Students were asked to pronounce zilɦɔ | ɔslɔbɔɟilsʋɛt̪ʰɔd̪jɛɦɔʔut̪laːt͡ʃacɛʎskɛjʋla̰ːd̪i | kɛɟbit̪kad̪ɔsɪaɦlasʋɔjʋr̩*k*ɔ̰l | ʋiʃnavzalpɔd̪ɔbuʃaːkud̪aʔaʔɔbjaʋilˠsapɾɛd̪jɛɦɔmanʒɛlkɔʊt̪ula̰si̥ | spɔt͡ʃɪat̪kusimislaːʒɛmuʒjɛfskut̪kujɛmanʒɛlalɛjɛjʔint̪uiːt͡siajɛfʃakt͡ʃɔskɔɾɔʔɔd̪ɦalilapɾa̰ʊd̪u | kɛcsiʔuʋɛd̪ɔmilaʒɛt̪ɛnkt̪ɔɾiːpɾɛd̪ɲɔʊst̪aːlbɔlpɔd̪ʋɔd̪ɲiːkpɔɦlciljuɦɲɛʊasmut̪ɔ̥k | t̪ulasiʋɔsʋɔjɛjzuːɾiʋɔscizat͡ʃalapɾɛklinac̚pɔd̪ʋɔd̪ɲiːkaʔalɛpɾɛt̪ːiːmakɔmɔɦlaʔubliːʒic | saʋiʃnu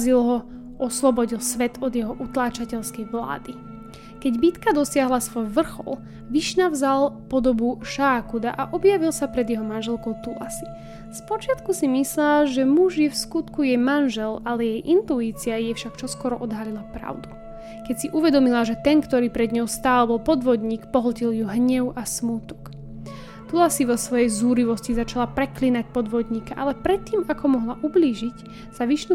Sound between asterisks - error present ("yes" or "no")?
yes